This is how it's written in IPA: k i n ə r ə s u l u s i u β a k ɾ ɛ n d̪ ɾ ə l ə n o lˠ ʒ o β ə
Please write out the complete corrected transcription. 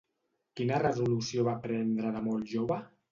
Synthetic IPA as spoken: k i n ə r ə z u l u s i o β a p ɾ ɛ n d̪ ɾ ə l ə m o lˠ ʒ o β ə

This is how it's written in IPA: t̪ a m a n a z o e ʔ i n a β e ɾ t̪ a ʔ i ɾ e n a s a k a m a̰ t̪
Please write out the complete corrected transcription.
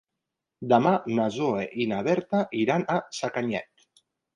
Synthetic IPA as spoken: d̪ a m a n a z o e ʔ i n a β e ɾ t̪ a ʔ i ɾ a n a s a k a ɲ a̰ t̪

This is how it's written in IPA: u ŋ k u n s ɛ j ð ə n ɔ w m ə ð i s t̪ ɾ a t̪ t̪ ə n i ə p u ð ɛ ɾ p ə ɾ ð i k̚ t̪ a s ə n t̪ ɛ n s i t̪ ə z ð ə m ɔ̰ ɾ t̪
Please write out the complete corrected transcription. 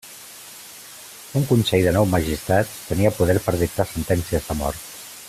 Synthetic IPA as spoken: u ŋ k u n s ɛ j ð ə n ɔ w m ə ʒ i s t̪ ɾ a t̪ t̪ ə n i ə p u ð ɛ ɾ p ə ɾ ð i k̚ t̪ a s ə n t̪ ɛ n s i ə z ð ə m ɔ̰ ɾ t̪

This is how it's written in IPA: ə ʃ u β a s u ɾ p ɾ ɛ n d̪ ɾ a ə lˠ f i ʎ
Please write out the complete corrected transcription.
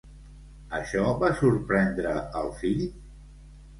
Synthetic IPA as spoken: ə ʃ ɔ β a s u ɾ p ɾ ɛ n d̪ ɾ ə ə lˠ f i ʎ

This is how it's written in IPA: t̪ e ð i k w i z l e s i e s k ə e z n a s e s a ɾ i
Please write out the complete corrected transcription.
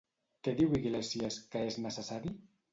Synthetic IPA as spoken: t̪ e ð i w i ɣ l e s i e s k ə e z n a s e s a ɾ i

